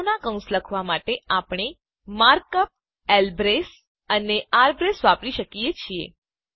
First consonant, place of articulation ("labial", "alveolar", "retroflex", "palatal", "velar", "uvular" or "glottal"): alveolar